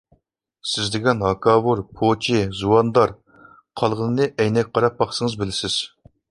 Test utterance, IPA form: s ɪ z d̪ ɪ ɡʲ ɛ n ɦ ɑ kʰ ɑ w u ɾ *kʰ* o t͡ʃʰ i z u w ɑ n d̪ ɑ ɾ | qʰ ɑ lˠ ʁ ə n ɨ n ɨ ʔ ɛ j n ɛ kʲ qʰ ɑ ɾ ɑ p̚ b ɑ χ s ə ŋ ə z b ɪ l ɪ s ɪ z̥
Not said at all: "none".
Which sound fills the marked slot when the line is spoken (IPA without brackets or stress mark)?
pʰ